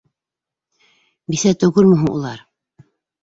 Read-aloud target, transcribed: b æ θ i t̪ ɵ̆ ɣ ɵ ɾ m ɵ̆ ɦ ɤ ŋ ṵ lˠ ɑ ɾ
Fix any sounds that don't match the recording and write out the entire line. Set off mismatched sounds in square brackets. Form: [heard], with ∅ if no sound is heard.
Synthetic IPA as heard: b [i] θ [æ] t̪ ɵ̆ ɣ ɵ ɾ m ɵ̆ ɦ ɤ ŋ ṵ lˠ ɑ ɾ